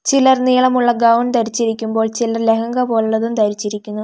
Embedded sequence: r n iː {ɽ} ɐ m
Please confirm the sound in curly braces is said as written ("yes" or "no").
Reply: no